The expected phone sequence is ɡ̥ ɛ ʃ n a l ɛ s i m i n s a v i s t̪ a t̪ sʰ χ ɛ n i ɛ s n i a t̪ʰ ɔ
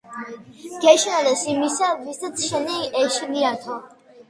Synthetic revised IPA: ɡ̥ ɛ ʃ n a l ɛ s i m i s a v i s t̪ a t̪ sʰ ʃ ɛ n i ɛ ʃ n i a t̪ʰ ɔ

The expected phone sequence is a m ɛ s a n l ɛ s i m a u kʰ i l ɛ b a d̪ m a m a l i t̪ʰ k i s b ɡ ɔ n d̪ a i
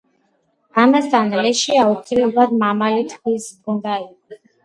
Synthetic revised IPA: a m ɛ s a n l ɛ ʃ i a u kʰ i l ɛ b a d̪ m a m a l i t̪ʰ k i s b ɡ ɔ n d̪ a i

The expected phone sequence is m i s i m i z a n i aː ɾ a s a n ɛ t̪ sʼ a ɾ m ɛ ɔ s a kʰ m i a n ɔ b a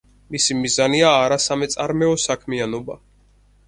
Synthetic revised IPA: m i s i m i z a n i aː ɾ a s a m ɛ t̪ sʼ a ɾ m ɛ ɔ s a kʰ m i a n ɔ b a

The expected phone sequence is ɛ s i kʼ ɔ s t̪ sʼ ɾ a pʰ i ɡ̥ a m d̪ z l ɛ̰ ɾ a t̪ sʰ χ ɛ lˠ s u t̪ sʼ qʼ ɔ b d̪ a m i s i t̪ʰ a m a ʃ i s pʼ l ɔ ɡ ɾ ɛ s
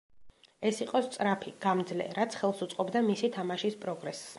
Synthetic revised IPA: ɛ s i qʼ ɔ s t̪ sʼ ɾ a pʰ i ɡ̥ a m d̪ z l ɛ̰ ɾ a t̪ sʰ χ ɛ lˠ s u t̪ sʼ qʼ ɔ b d̪ a m i s i t̪ʰ a m a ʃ i s pʼ ɾ ɔ ɡ ɾ ɛ s

